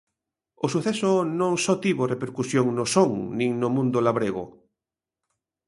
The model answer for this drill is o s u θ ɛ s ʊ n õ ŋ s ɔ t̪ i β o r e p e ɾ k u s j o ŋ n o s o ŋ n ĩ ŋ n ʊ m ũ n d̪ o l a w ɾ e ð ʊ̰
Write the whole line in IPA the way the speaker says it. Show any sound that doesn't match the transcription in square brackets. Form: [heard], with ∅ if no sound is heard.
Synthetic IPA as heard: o s u θ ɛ s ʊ n õ ŋ s ɔ t̪ i β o r e p e ɾ k u s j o ŋ n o s o ŋ n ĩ ŋ n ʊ m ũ n d̪ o l a [β] ɾ e [ɣ] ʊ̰